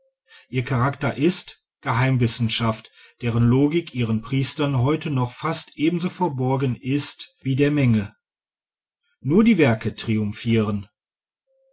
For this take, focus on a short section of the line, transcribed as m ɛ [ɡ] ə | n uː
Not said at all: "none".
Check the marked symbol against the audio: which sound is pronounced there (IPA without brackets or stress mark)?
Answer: ŋ